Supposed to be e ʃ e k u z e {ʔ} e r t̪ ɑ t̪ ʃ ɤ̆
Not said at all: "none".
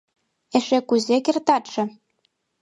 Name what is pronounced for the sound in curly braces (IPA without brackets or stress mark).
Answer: k